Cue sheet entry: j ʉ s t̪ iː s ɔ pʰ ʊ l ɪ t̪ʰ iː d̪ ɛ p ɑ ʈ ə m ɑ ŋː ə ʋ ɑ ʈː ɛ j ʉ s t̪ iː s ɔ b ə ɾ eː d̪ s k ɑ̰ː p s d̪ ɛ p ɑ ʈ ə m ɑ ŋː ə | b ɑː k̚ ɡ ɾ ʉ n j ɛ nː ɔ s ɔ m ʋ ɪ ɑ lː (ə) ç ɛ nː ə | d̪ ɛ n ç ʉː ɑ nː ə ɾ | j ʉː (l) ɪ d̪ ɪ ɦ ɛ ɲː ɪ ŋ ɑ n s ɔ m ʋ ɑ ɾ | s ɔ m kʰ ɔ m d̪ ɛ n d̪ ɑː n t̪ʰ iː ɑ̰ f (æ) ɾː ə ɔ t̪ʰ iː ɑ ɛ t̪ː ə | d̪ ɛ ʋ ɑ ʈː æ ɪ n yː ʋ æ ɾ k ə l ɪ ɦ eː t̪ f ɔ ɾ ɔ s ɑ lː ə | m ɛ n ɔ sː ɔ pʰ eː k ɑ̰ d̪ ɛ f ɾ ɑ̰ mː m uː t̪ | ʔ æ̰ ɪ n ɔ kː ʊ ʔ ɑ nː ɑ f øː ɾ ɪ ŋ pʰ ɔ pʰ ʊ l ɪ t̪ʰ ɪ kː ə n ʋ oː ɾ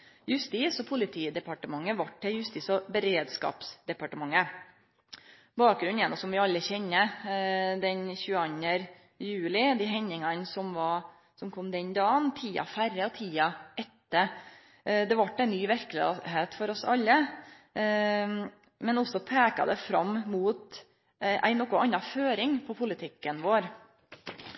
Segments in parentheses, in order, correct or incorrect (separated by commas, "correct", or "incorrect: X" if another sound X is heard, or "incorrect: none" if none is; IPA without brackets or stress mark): correct, correct, correct